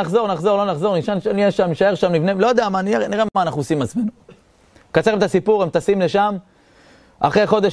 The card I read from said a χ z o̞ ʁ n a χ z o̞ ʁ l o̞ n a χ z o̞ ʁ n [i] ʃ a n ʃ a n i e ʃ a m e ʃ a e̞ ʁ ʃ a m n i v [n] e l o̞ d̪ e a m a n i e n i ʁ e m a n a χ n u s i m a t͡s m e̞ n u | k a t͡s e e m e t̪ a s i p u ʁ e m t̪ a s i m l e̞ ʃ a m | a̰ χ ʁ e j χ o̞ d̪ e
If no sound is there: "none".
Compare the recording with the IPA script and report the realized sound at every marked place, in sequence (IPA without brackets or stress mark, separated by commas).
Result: i, n